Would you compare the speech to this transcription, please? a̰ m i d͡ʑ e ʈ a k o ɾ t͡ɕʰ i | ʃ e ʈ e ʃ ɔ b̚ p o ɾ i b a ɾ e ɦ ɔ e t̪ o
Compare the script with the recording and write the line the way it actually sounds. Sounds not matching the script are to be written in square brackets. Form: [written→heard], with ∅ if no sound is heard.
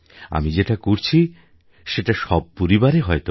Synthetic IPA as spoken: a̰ m i d͡ʑ e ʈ a k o ɾ t͡ɕʰ i | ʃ e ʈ [e→a] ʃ ɔ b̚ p o ɾ i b a ɾ e ɦ ɔ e t̪ o